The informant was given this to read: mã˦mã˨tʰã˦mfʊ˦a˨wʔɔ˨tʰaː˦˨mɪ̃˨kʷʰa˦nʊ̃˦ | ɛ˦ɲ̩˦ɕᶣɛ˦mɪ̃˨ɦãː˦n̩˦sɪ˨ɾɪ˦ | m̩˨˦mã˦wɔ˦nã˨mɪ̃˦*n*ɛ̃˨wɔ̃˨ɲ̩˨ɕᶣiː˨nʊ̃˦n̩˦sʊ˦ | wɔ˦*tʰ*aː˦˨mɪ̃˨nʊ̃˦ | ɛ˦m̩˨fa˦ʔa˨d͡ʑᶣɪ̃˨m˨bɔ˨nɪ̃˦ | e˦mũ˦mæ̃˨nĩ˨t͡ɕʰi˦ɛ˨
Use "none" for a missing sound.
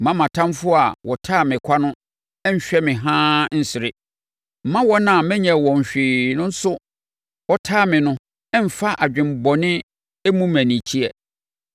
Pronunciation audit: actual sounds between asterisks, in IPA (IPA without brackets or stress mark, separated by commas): ɲ, tʰ